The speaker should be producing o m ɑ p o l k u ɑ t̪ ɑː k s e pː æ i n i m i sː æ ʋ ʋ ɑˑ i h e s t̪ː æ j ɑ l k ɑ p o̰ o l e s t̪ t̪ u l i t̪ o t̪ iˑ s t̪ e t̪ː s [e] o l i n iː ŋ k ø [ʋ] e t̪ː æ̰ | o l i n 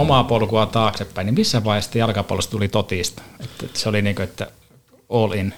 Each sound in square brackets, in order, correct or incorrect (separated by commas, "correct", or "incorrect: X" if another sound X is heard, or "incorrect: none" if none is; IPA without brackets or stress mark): correct, incorrect: none